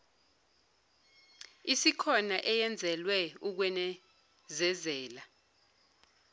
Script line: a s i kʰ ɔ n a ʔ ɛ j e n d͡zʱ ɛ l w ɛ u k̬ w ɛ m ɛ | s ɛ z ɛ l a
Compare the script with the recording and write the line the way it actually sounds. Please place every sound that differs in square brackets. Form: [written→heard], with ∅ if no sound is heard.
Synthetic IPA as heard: [a→i] s i kʰ ɔ n a ʔ ɛ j [e→ɛ] n d͡zʱ ɛ l w ɛ u k̬ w ɛ [m→n] ɛ | [s→z] ɛ z [ɛ→ɛː] l a